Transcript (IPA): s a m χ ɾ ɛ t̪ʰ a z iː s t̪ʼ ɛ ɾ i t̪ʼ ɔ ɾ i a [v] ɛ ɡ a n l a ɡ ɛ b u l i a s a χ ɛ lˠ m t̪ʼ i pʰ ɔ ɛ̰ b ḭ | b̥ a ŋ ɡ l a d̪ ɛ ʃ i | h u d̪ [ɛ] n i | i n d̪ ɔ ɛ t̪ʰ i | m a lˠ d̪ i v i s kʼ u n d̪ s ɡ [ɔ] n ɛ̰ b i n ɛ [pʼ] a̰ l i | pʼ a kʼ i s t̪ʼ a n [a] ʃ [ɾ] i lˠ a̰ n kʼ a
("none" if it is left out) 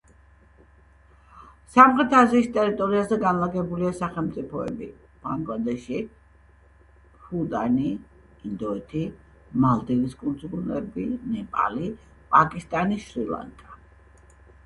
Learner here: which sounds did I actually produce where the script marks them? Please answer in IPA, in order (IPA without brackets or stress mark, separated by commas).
z, a, u, pʼ, i, ɾ